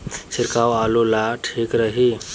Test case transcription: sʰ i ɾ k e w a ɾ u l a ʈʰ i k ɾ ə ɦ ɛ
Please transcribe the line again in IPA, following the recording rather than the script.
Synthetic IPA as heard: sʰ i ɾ k a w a l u l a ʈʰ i k ɾ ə ɦ i

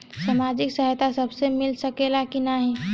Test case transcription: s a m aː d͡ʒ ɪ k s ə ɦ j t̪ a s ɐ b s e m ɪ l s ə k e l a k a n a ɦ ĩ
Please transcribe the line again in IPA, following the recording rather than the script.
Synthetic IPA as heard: s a m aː d͡ʒ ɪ k s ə ɦ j t̪ a s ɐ b s e m ɪ l s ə k e l a k i n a ɦ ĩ

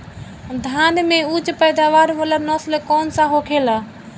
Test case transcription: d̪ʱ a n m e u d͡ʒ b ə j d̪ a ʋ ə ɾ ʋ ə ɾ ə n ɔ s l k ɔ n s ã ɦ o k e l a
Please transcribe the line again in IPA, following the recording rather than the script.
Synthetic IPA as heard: d̪ʱ a n m e u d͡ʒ p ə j d̪ a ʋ a ɾ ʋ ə l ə n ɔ s l k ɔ n s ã ɦ o kʰ e l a

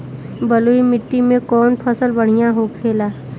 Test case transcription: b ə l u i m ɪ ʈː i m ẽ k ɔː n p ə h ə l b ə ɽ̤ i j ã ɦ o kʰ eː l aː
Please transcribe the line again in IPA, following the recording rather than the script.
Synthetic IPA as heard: b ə l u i m ɪ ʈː i m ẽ k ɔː n pʰ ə s ə l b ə ɽ̤ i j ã ɦ o kʰ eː l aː

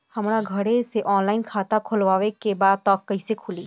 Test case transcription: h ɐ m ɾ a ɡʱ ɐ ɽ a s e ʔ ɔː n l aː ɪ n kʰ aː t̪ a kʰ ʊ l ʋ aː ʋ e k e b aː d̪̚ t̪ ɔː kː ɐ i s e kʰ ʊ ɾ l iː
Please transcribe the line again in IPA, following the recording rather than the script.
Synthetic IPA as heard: h ɐ m ɾ a ɡʱ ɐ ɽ e s e ʔ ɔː n l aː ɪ n kʰ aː t̪ a kʰ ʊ l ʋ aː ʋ e k e b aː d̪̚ t̪ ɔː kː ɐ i s e kʰ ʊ l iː

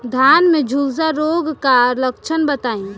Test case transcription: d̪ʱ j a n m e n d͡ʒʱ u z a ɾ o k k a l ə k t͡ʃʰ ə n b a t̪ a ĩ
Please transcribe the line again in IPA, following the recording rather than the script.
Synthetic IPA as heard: d̪ʱ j a n m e d͡ʒʱ u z a ɾ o ɡ k a l ə k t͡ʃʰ ə n b ə t̪ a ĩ

